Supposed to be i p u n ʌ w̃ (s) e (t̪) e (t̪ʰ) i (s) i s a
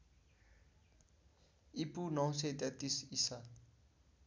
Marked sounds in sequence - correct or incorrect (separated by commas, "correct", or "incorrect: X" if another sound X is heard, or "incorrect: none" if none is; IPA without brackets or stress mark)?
correct, correct, incorrect: t̪, correct